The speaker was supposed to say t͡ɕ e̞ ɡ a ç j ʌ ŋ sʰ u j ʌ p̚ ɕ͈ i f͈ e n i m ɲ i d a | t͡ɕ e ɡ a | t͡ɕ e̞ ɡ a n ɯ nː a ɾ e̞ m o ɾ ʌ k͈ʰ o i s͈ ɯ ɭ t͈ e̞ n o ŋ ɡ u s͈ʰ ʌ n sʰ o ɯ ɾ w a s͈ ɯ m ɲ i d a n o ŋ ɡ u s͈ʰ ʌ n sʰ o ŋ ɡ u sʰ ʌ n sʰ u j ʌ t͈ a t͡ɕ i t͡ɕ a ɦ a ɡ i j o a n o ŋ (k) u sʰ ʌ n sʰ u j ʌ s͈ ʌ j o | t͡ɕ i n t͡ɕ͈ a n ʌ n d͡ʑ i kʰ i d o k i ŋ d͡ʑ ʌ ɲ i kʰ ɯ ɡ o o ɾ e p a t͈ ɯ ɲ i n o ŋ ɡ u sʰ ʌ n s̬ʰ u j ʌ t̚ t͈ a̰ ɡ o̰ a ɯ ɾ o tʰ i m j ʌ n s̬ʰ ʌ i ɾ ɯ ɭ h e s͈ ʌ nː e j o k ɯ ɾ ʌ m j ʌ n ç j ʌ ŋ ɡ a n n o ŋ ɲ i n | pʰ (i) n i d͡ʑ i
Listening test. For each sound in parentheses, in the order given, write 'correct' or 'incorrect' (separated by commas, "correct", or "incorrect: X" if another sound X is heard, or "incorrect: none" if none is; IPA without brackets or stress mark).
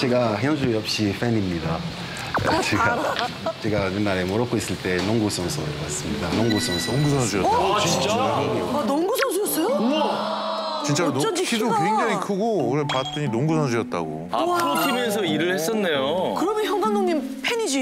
incorrect: ɡ, incorrect: e